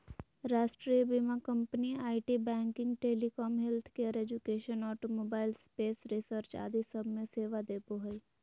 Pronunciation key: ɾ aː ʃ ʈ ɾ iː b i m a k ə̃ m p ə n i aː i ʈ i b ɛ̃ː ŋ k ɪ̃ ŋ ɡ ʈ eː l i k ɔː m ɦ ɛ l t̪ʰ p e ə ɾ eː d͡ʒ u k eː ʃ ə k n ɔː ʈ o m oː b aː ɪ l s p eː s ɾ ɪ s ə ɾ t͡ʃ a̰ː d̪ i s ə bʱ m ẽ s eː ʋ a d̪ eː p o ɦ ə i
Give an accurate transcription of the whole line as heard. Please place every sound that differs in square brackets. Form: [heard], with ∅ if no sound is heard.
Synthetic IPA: ɾ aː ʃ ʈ ɾ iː b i m a k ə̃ m p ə n i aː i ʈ i b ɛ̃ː ŋ k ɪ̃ ŋ ɡ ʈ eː l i k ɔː m ɦ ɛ l t̪ʰ [k] e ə ɾ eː d͡ʒ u k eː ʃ ə [∅] n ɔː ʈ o m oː b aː ɪ l s p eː s ɾ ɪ s ə ɾ t͡ʃ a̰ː d̪ i s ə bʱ m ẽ s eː ʋ a d̪ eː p o ɦ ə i